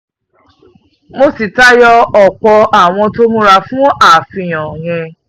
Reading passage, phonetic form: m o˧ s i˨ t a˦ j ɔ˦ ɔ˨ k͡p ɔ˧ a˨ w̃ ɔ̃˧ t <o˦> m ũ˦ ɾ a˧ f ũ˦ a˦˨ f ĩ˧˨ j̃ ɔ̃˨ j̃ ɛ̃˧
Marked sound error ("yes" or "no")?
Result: no